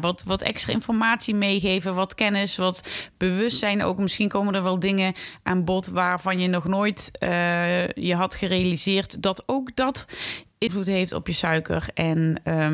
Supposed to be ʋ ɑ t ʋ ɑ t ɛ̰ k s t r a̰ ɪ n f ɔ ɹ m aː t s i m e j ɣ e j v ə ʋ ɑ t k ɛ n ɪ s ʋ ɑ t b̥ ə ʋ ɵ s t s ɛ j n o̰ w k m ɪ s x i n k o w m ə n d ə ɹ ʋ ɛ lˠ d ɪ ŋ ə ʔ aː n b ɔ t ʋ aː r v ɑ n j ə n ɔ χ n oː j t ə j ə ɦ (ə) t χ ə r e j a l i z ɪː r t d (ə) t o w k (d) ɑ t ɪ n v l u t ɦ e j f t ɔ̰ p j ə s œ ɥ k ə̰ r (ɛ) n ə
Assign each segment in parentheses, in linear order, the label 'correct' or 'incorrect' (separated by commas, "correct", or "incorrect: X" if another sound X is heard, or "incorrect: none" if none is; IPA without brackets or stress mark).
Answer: incorrect: ɑ, incorrect: ɑ, correct, correct